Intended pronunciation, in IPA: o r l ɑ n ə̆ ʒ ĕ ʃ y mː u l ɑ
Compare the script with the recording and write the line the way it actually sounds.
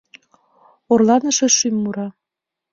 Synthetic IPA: o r l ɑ n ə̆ ʃ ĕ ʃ y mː u ɾ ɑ